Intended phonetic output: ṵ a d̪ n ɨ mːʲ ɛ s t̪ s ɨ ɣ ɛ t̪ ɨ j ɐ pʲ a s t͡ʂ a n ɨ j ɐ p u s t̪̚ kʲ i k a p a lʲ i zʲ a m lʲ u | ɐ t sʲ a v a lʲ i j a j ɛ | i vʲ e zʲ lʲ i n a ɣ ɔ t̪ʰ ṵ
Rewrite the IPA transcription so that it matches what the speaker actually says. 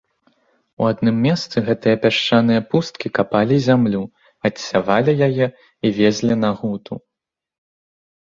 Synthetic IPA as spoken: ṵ a d̪ n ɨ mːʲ ɛ s t̪ s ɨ ɣ ɛ t̪ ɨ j ɐ pʲ a ʂ t͡ʂ a n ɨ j ɐ p u s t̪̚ kʲ i k a p a lʲ i zʲ a m lʲ u | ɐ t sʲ a v a lʲ i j a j ɛ | i vʲ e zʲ lʲ i n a ɣ u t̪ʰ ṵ